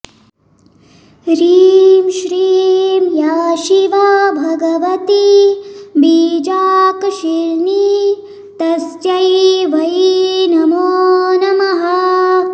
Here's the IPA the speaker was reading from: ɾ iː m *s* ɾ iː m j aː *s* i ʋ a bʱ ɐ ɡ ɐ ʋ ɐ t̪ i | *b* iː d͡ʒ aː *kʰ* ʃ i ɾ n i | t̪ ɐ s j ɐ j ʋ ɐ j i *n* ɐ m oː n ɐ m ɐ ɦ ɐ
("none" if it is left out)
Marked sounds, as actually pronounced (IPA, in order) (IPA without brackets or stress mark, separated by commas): ʃ, ʃ, b, k, n